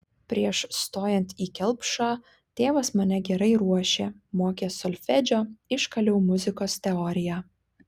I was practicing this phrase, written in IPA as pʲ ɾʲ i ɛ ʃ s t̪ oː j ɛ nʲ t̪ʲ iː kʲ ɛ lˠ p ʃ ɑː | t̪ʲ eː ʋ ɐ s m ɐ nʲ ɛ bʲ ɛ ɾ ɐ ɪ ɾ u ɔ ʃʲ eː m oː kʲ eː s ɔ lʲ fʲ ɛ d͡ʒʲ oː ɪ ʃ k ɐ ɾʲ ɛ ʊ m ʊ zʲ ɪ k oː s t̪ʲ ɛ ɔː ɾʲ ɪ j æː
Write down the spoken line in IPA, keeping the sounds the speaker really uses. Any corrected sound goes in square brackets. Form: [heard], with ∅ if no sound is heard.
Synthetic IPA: pʲ ɾʲ i ɛ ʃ s t̪ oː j ɛ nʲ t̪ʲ iː kʲ ɛ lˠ p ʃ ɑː | t̪ʲ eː ʋ ɐ s m ɐ nʲ ɛ [ɡʲ] ɛ ɾ ɐ ɪ ɾ u ɔ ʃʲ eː m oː kʲ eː s ɔ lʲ fʲ ɛ d͡ʒʲ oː ɪ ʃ k ɐ [lʲ] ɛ ʊ m ʊ zʲ ɪ k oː s t̪ʲ ɛ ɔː ɾʲ ɪ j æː

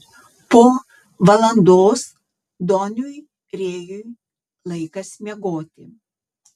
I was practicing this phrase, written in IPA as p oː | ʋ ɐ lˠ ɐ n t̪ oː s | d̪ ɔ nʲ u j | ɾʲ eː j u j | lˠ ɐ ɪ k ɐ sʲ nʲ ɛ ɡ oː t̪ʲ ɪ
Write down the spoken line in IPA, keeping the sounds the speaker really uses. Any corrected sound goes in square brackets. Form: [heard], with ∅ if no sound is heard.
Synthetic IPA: p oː | ʋ ɐ lˠ ɐ n [d̪] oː s | d̪ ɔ nʲ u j | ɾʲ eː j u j | lˠ ɐ ɪ k ɐ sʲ [mʲ] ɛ ɡ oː t̪ʲ ɪ

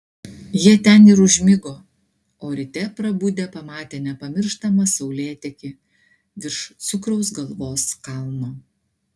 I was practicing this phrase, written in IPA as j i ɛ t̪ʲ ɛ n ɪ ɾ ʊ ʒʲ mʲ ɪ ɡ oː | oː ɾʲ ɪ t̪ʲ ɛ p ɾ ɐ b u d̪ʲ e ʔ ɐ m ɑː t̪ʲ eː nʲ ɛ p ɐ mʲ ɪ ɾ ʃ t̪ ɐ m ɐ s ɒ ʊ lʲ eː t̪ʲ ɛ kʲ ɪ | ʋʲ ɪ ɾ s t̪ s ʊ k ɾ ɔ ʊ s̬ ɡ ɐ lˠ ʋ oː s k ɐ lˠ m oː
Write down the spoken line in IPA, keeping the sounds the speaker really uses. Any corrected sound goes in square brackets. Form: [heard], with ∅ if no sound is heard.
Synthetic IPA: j i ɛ t̪ʲ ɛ n ɪ ɾ ʊ ʒʲ mʲ ɪ ɡ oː | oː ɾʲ ɪ t̪ʲ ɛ p ɾ ɐ b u d̪ʲ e [p] ɐ m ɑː t̪ʲ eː nʲ ɛ p ɐ mʲ ɪ ɾ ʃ t̪ ɐ m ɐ s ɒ ʊ lʲ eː t̪ʲ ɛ kʲ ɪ | ʋʲ ɪ ɾ [ʃ] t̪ s ʊ k ɾ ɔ ʊ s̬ ɡ ɐ lˠ ʋ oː s k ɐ lˠ m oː

